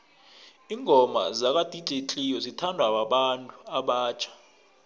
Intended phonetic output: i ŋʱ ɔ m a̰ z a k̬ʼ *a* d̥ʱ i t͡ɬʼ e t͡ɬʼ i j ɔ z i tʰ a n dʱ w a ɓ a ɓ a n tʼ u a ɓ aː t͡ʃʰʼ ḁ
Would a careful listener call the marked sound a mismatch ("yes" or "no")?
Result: no